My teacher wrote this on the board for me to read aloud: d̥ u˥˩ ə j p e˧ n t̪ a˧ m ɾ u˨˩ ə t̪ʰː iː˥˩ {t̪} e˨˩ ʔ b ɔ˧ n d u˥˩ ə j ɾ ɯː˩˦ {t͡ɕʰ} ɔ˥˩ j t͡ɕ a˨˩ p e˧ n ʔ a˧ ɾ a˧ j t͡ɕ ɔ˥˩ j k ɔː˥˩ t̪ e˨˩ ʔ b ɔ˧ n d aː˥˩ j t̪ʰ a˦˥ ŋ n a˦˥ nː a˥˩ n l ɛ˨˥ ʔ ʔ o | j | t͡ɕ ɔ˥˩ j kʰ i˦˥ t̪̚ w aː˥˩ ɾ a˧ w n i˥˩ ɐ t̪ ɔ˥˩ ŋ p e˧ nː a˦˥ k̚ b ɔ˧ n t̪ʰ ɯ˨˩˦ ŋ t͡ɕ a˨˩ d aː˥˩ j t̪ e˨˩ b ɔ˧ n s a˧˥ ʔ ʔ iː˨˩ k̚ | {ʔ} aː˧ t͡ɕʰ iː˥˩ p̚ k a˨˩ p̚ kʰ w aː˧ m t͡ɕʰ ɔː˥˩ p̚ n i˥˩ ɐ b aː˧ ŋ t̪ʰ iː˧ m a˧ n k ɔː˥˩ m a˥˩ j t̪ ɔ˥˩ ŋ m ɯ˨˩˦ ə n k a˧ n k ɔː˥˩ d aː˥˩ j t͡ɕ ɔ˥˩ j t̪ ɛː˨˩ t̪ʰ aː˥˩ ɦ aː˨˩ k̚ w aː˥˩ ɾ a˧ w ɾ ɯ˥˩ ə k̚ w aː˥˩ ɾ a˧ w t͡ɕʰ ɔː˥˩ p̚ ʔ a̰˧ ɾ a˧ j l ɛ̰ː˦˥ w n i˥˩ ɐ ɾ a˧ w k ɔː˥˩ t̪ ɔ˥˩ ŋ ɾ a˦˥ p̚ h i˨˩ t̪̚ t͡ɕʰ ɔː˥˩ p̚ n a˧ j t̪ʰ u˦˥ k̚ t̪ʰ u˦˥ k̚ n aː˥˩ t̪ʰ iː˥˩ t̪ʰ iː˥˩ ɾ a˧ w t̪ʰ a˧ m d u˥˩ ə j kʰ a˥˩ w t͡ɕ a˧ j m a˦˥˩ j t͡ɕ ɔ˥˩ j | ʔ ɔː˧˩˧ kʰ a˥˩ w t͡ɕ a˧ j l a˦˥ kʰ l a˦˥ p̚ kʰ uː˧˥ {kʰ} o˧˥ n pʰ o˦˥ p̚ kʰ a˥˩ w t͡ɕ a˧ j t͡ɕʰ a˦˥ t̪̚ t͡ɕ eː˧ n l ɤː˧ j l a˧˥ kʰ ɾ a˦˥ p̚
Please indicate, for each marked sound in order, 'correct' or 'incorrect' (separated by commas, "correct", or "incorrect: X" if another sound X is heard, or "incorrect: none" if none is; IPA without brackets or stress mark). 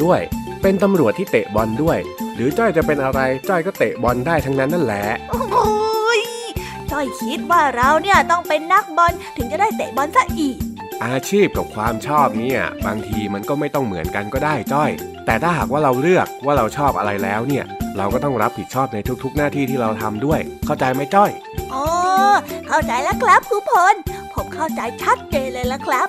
correct, incorrect: t͡ɕ, correct, incorrect: pʰ